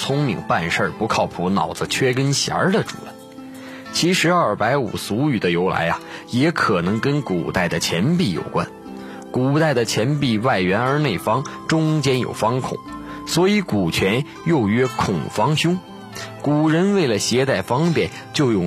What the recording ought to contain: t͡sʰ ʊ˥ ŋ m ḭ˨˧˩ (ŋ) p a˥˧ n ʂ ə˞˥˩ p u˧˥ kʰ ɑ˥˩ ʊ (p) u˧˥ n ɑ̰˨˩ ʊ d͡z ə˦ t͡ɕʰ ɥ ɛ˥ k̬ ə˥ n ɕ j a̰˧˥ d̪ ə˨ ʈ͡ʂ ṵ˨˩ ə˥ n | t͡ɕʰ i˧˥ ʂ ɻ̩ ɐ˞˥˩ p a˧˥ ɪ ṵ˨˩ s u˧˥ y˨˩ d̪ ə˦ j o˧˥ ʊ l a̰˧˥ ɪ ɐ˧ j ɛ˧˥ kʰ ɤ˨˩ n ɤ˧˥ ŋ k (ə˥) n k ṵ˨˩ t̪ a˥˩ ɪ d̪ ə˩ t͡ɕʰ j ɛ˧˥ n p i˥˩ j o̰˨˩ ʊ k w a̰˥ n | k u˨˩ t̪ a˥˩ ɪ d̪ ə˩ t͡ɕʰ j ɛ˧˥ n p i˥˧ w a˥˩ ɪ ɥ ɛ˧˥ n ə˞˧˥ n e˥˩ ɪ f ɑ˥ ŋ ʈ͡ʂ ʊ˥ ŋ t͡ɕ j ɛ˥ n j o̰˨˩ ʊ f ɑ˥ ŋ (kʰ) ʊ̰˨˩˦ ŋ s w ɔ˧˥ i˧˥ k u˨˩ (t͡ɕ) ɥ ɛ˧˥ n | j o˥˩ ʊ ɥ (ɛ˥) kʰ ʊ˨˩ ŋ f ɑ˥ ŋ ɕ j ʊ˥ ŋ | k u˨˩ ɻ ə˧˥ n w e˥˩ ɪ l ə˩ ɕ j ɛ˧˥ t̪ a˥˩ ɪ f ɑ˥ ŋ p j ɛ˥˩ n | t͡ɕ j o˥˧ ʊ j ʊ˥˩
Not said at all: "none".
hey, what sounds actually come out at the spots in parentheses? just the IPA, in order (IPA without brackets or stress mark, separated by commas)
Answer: ŋ, pʰ, ə˥, kʰ, t͡ɕʰ, ɛ˥